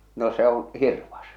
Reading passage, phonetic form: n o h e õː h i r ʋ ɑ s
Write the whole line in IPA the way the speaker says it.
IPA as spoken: n o s e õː h i r ʋ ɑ s